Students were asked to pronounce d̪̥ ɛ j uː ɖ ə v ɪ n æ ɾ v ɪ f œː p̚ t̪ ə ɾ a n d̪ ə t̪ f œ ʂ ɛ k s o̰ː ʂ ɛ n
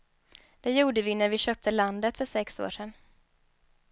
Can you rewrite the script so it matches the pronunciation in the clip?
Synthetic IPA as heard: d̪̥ ɛ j uː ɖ ə v ɪ n æ ɾ v ɪ ɕ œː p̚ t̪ ə l a n d̪ ə t̪ f œ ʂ ɛ k s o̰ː ʂ ɛ n